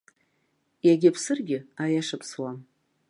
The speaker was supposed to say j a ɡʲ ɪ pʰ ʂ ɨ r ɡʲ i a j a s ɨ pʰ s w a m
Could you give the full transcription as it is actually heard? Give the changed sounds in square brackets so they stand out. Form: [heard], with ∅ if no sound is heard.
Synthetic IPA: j a ɡʲ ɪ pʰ [s] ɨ r ɡʲ [ɪ] a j a [ʂ] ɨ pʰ s w a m